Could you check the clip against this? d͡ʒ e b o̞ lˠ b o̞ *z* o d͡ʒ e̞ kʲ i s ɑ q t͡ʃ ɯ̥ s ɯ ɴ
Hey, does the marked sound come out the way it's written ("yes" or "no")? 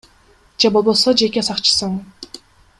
no